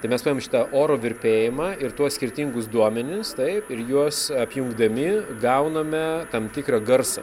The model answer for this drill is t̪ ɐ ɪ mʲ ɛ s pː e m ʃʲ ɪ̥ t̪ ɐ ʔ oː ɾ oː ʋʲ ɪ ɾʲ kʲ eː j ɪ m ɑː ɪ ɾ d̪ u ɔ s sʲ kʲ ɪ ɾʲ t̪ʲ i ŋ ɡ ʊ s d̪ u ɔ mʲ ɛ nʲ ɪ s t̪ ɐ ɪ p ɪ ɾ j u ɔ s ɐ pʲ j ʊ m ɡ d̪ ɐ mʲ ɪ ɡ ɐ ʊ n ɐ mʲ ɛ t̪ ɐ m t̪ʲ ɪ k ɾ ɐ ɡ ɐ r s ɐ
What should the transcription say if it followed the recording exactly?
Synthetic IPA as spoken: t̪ ɐ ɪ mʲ ɛ s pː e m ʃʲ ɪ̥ t̪ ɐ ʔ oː ɾ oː ʋʲ ɪ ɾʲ pʲ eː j ɪ m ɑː ɪ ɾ t̪ u ɔ s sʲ kʲ ɪ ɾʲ t̪ʲ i ŋ ɡ ʊ s d̪ u ɔ mʲ ɛ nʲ ɪ s t̪ ɐ ɪ p ɪ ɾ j u ɔ s ɐ pʲ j ʊ ŋ ɡ d̪ ɐ mʲ ɪ ɡ ɐ ʊ n ɐ mʲ ɛ t̪ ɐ m t̪ʲ ɪ k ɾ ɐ ɡ ɐ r s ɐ